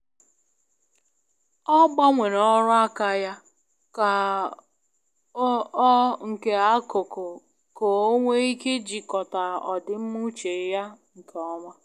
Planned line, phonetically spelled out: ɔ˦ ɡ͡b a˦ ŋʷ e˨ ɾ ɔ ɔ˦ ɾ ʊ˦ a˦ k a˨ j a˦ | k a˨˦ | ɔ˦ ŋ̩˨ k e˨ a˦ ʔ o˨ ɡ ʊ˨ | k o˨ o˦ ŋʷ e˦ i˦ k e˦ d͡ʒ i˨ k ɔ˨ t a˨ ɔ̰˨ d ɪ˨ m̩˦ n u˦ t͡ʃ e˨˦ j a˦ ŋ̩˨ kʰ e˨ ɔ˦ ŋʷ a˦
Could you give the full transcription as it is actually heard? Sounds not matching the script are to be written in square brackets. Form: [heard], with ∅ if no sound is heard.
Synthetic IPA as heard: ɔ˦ ɡ͡b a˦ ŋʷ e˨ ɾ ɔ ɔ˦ ɾ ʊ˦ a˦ k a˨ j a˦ | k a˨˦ | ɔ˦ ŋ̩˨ k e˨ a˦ [k] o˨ [k] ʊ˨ | k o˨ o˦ ŋʷ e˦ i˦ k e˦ d͡ʒ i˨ k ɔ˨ t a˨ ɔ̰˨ d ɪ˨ m̩˦ [m] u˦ t͡ʃ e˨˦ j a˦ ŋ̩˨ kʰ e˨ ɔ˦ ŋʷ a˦